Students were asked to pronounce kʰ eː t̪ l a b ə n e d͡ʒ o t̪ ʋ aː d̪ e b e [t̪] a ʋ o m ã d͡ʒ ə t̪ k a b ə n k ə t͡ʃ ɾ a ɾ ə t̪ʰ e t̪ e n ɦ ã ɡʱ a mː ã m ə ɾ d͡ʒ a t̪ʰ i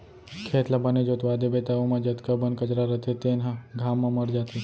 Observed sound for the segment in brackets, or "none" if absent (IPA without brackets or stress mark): t̪